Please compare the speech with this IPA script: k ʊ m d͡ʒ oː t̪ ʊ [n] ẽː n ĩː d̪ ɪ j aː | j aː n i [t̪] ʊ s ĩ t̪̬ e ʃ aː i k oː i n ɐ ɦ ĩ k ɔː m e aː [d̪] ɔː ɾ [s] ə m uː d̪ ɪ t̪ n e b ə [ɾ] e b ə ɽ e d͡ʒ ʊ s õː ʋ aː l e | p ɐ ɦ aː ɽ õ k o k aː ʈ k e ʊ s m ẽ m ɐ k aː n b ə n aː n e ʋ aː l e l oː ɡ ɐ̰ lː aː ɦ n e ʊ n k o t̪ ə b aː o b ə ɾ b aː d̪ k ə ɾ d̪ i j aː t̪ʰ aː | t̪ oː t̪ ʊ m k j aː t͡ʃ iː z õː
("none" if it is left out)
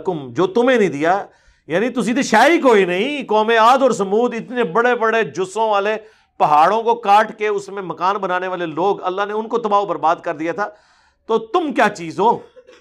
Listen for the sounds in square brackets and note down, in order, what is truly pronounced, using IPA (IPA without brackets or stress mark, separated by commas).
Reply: m, t̪, d̪, s, ɽ